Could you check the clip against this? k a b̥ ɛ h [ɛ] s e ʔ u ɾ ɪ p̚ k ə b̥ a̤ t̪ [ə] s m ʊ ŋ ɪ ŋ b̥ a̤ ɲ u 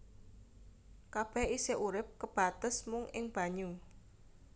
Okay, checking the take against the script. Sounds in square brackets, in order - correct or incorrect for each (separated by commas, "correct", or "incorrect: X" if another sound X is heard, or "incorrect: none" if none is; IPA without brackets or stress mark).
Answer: incorrect: i, correct